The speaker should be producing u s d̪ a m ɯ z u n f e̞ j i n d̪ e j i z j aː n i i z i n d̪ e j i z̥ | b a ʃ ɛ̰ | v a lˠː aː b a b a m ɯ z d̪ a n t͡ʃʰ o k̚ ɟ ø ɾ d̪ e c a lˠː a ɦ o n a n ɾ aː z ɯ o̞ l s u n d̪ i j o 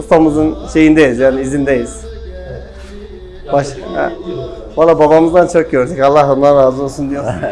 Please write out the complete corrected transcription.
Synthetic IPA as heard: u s t̪ a m ɯ z ɯ n ʃ e̞ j i n d̪ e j i z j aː n i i z i n d̪ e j i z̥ | b a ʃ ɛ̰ | v a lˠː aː b a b a m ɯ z d̪ a n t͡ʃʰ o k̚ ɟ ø ɾ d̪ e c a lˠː a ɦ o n a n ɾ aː z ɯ o̞ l s u n d̪ i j o